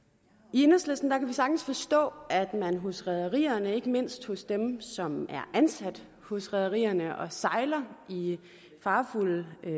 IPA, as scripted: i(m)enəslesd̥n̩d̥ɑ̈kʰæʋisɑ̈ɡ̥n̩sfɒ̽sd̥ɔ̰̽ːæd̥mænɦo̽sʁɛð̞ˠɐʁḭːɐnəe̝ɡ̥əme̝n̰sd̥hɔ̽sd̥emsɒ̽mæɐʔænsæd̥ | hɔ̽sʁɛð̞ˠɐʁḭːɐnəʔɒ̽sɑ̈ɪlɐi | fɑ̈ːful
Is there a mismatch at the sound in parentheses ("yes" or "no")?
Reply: yes